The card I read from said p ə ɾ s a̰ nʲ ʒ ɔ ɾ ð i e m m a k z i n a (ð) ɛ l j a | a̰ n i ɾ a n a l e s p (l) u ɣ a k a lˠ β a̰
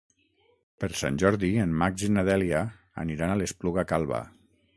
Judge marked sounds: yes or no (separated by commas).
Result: yes, yes